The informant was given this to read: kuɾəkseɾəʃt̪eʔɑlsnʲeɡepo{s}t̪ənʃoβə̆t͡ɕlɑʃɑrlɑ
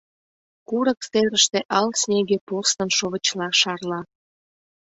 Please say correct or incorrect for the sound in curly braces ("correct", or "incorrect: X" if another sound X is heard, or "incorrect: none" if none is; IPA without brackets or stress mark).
correct